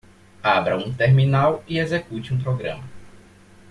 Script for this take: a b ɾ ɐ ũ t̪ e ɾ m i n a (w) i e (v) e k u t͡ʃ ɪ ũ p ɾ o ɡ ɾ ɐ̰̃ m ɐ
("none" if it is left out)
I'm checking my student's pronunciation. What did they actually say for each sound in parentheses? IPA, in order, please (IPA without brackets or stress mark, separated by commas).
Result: w, z